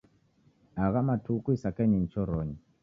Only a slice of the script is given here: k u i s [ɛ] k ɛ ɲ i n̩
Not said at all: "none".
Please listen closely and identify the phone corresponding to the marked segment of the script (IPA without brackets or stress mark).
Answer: a